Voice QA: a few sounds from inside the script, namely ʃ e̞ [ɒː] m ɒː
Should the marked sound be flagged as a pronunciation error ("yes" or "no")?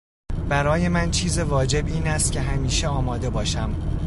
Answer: no